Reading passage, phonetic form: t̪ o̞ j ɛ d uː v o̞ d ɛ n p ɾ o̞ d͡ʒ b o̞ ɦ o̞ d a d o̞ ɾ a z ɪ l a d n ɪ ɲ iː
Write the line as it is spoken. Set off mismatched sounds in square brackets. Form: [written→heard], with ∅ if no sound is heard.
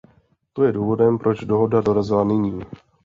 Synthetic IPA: t̪ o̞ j ɛ d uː v o̞ d ɛ [n→m] p ɾ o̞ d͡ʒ [b→d] o̞ ɦ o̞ d a d o̞ ɾ a z ɪ l a [d→∅] n ɪ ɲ iː